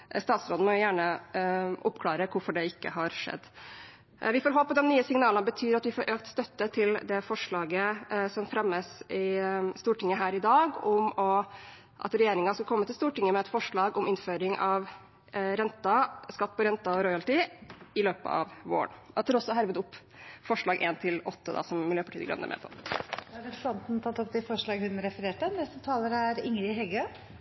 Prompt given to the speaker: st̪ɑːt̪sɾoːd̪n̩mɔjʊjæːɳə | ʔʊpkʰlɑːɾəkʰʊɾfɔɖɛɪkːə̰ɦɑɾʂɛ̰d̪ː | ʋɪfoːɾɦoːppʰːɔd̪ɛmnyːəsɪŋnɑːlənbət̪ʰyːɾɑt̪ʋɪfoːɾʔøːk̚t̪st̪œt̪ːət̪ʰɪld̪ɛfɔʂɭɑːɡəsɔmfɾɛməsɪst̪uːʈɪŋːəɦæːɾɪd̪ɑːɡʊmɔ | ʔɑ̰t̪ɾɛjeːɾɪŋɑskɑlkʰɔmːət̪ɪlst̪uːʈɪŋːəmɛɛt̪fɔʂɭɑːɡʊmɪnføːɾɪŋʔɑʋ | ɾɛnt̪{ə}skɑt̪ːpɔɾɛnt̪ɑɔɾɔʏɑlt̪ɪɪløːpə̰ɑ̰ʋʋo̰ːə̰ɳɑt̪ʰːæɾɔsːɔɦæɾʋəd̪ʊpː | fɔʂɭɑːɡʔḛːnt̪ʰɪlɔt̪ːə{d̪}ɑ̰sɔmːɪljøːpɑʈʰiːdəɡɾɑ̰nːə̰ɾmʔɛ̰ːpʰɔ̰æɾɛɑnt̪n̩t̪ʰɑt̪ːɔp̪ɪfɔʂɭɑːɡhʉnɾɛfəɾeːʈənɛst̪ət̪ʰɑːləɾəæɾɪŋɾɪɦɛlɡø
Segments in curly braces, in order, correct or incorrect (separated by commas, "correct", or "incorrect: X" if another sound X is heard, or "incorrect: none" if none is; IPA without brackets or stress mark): incorrect: ɑ, correct